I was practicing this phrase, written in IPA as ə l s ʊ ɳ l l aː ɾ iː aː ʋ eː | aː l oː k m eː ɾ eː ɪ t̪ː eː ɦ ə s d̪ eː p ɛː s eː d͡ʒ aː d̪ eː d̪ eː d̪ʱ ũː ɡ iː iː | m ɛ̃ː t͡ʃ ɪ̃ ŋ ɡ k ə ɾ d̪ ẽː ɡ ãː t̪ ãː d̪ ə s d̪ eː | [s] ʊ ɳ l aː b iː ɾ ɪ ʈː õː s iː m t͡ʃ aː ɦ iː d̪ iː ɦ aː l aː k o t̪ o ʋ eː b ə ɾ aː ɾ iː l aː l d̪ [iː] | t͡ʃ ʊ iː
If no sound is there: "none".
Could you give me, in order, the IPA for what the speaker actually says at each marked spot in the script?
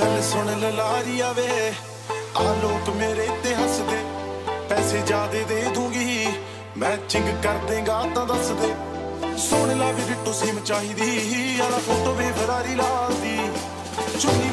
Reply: s, iː

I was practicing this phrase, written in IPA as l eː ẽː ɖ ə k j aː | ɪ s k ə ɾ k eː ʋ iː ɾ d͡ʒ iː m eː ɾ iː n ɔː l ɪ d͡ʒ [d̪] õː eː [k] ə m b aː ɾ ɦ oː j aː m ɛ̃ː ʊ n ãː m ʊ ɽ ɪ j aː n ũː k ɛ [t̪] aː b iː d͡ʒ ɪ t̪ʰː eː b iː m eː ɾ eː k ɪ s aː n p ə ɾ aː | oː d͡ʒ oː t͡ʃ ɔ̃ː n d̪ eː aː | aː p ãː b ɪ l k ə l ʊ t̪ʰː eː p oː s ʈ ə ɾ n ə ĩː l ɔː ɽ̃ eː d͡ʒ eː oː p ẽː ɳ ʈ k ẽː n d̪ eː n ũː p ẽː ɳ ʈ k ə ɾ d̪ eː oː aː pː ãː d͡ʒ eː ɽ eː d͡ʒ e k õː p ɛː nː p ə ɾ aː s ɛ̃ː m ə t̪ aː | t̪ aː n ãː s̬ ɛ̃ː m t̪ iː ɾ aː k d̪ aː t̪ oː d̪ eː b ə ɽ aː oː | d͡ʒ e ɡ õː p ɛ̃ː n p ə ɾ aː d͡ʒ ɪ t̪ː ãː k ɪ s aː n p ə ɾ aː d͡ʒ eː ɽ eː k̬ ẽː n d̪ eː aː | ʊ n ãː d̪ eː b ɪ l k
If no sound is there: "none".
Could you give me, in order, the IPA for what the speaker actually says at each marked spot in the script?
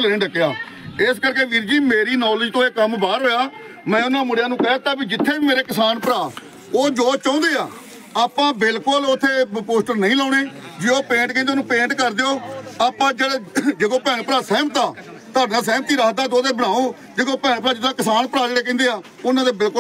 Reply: t̪, k, t̪

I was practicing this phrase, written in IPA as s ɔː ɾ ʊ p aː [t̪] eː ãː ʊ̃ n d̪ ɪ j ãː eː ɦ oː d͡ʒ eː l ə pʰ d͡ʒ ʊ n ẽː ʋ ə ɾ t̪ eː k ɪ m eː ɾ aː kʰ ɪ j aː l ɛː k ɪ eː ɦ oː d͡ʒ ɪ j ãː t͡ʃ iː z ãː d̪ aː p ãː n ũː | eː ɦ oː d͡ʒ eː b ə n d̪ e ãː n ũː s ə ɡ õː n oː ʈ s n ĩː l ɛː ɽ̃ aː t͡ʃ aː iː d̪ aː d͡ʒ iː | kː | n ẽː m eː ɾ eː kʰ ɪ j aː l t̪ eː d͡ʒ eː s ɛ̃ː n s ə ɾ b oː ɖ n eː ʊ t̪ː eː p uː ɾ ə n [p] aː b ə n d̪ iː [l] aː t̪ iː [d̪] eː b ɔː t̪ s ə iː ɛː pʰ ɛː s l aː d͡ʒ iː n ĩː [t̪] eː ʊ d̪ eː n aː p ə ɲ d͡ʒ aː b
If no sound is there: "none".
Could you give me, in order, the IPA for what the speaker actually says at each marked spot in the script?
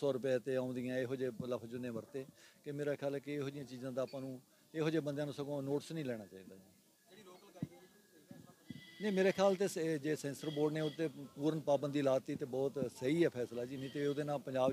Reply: t̪, p, l, t̪, t̪

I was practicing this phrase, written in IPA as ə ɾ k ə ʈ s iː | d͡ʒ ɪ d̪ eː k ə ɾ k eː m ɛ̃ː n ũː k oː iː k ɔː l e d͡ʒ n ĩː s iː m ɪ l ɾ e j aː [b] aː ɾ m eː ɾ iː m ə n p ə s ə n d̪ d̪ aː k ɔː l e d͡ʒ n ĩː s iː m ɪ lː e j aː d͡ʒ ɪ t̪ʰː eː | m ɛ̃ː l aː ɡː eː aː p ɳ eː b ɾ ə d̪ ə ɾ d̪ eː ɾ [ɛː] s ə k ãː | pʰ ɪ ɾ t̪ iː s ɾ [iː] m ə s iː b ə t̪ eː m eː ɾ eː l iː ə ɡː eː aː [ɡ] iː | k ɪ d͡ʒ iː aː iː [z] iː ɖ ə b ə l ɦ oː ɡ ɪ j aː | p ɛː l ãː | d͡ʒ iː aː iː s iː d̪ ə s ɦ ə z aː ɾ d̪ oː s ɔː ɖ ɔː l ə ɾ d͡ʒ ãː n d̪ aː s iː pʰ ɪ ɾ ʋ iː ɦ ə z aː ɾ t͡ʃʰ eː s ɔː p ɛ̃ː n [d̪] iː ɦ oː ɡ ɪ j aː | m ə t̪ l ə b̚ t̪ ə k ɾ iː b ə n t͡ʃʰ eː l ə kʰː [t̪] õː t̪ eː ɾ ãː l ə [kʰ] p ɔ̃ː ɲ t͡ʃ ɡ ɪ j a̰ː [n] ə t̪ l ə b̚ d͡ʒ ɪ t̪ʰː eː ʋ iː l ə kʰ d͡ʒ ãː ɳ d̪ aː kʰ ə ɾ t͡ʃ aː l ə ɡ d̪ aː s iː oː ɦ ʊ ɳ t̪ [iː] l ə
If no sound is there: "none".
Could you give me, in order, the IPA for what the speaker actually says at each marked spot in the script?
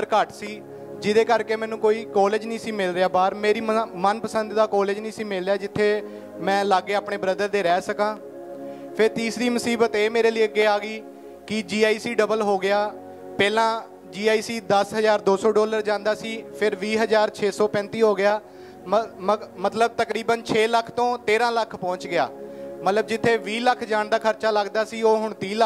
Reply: b, ɛː, iː, ɡ, s, t̪, t̪, kʰ, m, iː

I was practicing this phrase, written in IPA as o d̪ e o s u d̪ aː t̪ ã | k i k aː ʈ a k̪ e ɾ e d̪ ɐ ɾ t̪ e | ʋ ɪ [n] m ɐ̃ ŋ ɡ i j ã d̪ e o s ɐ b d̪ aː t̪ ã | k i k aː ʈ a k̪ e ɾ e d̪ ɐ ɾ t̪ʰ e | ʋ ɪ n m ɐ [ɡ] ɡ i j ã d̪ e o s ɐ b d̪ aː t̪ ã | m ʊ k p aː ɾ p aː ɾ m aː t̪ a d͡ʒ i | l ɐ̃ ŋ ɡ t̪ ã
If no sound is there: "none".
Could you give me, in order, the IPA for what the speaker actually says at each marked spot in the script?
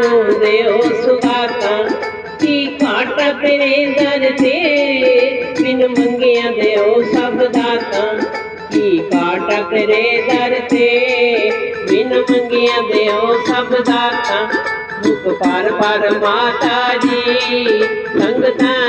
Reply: n, ŋ

